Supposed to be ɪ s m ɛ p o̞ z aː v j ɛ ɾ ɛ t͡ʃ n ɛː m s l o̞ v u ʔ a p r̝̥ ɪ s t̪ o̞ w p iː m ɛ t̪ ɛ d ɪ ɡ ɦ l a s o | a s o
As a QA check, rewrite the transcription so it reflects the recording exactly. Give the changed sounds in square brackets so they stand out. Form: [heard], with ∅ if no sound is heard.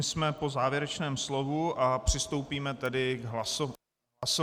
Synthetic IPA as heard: ɪ s m ɛ p o̞ z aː v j ɛ ɾ ɛ t͡ʃ n ɛː m s l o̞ v u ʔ a p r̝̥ ɪ s t̪ o̞ w p iː m ɛ t̪ ɛ d ɪ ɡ ɦ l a s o | a s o